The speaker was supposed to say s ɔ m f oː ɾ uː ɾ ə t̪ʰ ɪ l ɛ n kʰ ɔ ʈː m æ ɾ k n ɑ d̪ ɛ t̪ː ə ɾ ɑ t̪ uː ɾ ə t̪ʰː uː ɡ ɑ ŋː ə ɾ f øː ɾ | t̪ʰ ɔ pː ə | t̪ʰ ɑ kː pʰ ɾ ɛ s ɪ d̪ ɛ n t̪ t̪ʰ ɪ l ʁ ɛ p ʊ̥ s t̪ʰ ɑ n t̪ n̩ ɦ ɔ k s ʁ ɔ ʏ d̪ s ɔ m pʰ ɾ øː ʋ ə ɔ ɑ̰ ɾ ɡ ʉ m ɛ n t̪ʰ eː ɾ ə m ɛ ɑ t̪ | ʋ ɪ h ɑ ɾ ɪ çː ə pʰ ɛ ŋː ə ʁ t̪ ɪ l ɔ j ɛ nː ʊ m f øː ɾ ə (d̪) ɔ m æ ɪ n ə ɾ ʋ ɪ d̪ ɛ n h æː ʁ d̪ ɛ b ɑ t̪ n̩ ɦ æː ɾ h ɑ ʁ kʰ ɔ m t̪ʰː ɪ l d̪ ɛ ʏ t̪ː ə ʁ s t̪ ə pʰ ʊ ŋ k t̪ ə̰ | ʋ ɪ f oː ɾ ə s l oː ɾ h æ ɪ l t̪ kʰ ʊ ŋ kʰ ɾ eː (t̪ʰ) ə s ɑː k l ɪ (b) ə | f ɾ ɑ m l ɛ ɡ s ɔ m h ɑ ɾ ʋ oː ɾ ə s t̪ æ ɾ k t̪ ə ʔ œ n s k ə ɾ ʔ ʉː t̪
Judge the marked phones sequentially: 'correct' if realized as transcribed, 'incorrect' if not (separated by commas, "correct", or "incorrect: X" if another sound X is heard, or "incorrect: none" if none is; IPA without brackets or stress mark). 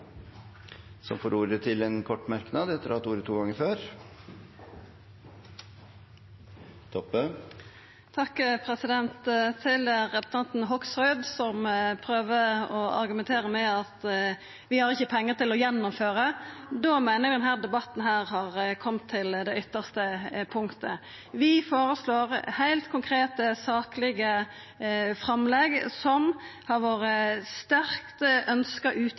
correct, incorrect: t̪, incorrect: ɡ